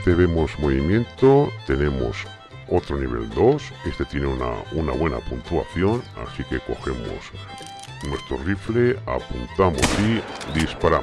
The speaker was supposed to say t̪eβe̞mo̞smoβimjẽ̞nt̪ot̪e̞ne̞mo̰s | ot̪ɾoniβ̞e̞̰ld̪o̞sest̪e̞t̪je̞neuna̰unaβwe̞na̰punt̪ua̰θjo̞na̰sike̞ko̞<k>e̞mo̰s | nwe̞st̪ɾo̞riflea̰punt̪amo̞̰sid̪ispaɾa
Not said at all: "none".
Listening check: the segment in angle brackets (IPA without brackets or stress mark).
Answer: x